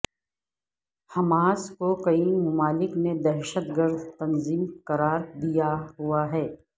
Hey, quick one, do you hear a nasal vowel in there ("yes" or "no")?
no